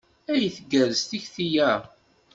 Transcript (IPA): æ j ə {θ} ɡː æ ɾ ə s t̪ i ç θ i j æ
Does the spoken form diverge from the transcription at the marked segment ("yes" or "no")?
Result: no